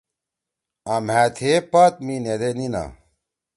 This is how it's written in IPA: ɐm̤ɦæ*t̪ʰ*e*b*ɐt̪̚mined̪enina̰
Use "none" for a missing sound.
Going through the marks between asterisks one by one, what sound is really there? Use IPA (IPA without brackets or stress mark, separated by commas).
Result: t̪ʰ, p